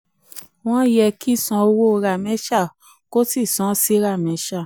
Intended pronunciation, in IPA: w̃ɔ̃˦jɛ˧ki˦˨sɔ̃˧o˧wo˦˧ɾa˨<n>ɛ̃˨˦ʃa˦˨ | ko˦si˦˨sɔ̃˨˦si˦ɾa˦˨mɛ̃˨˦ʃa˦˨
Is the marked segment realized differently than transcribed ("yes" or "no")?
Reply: yes